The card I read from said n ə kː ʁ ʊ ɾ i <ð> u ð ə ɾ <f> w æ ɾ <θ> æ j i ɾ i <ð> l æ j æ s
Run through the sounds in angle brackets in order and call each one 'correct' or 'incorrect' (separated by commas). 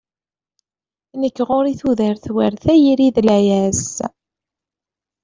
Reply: incorrect, incorrect, correct, correct